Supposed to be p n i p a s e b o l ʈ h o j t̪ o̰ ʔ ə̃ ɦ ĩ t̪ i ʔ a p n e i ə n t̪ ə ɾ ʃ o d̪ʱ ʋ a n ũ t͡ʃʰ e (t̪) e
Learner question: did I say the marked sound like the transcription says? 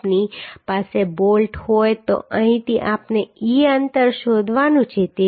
yes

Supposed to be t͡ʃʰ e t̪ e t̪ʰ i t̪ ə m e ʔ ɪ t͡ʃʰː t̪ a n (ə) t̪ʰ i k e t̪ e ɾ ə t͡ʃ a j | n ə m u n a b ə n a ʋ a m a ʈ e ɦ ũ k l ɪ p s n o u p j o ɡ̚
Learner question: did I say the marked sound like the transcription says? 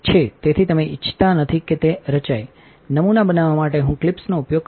yes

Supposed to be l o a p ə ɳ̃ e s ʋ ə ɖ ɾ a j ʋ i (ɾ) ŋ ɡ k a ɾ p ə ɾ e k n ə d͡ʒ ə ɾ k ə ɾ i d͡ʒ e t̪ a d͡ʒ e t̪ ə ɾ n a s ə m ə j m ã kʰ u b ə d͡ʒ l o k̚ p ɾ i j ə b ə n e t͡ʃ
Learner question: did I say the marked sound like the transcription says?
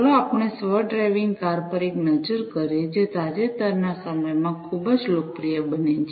no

